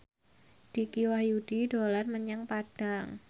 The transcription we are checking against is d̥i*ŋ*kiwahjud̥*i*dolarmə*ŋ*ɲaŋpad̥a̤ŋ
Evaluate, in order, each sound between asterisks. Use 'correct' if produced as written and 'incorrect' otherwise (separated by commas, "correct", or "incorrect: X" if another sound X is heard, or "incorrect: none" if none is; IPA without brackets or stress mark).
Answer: incorrect: none, correct, incorrect: none